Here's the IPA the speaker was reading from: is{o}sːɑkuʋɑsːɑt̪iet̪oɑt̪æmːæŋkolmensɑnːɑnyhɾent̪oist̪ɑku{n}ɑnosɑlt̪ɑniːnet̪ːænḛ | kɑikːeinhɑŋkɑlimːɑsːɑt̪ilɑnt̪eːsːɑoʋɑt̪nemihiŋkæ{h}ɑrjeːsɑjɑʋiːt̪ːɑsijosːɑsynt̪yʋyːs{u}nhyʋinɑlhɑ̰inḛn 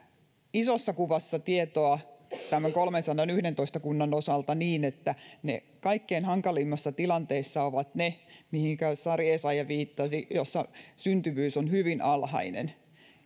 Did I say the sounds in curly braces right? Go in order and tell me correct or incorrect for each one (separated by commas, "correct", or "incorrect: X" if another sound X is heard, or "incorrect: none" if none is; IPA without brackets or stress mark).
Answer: correct, incorrect: nː, incorrect: s, incorrect: o